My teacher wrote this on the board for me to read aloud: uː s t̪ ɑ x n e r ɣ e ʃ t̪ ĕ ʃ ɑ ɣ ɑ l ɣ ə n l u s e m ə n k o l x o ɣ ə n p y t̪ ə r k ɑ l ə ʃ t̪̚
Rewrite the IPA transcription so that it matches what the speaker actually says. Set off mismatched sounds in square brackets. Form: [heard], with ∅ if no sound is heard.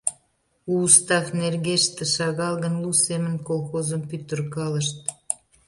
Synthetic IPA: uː s t̪ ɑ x n e r ɣ e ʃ t̪ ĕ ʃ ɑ ɣ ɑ l ɣ ə n l u s e m ə n k o l x o [z] ə [m] p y t̪ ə r k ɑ l ə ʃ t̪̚